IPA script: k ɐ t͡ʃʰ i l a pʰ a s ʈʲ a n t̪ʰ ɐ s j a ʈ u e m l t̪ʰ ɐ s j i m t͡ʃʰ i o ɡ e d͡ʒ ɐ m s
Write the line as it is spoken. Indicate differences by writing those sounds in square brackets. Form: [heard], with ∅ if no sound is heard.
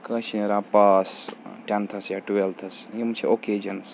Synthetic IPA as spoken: k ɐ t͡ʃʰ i [ɾ] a [p] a s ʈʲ a n t̪ʰ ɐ s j a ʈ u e [∅] l t̪ʰ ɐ s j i m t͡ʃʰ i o [k] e d͡ʒ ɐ [n] s